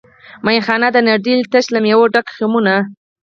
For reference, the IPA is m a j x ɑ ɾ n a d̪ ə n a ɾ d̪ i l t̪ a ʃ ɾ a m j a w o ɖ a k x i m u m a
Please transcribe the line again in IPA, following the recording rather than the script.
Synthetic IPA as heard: m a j x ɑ n a d̪ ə n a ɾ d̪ i l t̪ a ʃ l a m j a w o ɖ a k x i m u n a